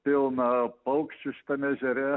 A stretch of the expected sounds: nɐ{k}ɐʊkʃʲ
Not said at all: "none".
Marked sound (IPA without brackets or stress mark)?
p